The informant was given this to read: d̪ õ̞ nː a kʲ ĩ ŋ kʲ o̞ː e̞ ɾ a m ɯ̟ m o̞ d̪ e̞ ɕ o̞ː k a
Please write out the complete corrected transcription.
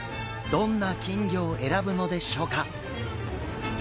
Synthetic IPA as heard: d̪ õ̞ nː a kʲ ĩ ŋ ɡʲ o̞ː e̞ ɾ a b ɯ̟ n o̞ d̪ e̞ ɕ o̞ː k a